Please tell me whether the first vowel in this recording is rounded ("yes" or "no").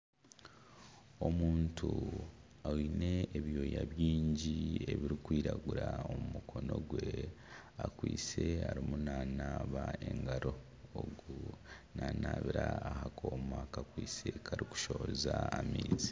yes